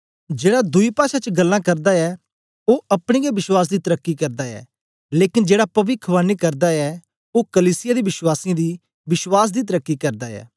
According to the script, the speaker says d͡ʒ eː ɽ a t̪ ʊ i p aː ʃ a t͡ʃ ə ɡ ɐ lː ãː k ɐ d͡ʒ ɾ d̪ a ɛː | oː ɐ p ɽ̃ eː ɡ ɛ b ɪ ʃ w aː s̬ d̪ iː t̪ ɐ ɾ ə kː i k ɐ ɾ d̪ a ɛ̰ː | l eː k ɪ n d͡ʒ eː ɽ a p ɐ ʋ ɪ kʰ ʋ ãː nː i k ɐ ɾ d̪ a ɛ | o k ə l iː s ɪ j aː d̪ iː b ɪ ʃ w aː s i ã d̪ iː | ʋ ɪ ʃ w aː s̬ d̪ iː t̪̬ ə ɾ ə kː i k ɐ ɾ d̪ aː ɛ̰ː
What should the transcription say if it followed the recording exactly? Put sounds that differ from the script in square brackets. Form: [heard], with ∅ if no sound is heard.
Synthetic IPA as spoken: d͡ʒ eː ɽ a [d̪] ʊ i p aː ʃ a t͡ʃ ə ɡ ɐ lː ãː k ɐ [∅] ɾ d̪ a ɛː | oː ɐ p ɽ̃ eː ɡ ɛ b ɪ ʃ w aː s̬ d̪ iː t̪ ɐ ɾ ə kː i k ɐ ɾ d̪ a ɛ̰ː | l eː k ɪ n d͡ʒ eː ɽ a p ɐ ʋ ɪ kʰ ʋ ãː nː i k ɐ ɾ d̪ a ɛ | o k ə l iː s ɪ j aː d̪ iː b ɪ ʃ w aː s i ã d̪ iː | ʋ ɪ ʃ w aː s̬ d̪ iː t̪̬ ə ɾ ə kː i k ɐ ɾ d̪ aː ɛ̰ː